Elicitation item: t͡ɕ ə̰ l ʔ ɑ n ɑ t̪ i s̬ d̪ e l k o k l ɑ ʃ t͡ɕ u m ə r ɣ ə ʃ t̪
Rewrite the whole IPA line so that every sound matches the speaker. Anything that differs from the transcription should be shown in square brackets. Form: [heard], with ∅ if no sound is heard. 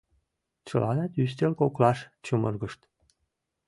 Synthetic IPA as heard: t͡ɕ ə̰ l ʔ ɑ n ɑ t̪ [y] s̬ [t̪] e l k o k l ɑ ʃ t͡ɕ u m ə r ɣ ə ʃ t̪